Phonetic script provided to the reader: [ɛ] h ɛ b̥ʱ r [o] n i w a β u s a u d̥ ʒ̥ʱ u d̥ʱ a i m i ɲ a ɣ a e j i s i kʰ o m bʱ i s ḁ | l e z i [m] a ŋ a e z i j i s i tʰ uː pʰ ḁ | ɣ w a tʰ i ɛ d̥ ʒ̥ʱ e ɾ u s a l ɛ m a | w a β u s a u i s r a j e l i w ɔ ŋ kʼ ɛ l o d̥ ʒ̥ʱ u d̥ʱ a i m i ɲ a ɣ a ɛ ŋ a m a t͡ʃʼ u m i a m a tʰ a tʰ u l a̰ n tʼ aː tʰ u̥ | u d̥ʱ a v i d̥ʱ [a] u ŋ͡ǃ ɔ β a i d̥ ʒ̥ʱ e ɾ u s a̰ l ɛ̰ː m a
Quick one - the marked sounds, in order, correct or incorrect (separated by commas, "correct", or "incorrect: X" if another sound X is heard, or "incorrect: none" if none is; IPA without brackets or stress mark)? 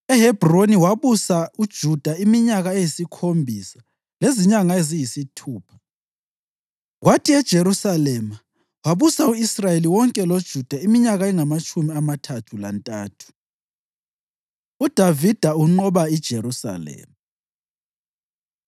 correct, correct, incorrect: ɲ, correct